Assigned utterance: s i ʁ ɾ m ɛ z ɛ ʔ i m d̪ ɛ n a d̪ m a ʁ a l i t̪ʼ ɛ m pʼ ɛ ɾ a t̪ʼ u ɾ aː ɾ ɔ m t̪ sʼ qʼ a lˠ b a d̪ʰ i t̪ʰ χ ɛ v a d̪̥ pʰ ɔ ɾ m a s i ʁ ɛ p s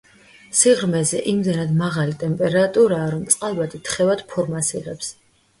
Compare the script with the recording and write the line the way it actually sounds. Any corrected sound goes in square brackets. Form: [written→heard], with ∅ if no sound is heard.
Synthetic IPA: s i ʁ ɾ m ɛ z ɛ ʔ i m d̪ ɛ n a d̪ m a ʁ a l i t̪ʼ ɛ m pʼ ɛ ɾ a t̪ʼ u ɾ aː ɾ ɔ m t̪ sʼ qʼ a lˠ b a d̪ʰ i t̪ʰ χ ɛ v a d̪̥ pʰ ɔ ɾ m a s i ʁ ɛ p s